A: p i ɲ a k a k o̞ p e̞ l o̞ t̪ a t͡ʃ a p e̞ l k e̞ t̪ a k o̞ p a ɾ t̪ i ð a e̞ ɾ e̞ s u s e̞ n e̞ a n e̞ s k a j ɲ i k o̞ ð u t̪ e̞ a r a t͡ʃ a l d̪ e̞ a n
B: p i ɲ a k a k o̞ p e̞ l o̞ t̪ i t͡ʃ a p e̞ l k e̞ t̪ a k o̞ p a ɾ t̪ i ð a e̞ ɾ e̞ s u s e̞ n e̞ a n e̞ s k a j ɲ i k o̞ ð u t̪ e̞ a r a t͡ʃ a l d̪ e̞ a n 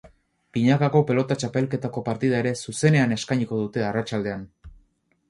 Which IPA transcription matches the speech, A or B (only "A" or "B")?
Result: A